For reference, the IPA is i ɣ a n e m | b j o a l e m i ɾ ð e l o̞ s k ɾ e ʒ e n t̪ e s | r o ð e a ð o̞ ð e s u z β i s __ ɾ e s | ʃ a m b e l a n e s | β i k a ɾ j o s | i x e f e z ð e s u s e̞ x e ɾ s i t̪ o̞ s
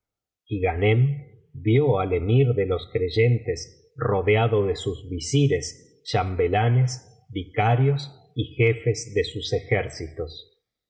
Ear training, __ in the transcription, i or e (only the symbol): i